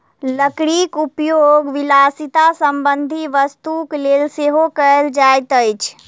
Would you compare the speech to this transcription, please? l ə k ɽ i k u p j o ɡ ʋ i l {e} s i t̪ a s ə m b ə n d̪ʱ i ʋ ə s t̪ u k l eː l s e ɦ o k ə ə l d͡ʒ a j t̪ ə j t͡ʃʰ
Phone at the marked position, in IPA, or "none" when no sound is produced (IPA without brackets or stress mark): a